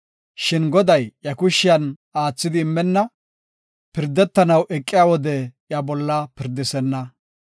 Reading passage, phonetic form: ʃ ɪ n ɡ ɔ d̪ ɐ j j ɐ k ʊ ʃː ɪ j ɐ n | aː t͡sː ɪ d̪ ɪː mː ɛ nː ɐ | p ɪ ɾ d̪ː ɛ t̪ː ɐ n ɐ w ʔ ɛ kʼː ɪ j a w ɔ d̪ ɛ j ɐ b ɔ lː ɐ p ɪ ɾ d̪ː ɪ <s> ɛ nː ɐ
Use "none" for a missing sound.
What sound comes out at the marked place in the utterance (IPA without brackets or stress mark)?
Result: s